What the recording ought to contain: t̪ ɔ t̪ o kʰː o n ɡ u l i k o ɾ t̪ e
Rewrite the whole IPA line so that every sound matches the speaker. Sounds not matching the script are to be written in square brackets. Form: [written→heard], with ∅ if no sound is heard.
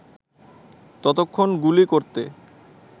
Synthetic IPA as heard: t̪ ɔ t̪ o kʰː o n ɡ u l i k o ɾ t̪ e